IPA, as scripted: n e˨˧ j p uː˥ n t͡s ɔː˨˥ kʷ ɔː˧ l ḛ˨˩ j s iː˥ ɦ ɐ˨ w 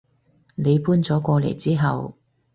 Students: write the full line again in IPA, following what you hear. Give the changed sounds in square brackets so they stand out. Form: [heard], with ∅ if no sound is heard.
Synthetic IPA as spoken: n e˨˧ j p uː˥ n t͡s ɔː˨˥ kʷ ɔː˧ l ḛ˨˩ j [t͡s] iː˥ ɦ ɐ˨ w